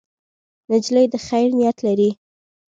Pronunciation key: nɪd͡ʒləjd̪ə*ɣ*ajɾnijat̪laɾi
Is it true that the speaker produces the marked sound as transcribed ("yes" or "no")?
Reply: no